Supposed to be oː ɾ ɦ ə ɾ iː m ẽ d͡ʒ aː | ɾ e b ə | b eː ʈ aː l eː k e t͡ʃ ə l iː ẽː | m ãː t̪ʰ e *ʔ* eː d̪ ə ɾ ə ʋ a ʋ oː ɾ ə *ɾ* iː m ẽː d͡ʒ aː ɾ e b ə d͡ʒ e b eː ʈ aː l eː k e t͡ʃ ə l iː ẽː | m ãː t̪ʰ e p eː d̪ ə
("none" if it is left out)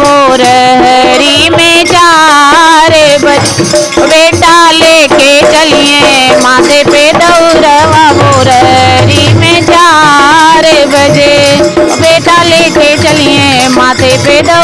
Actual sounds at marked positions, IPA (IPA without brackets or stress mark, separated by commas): p, ɾ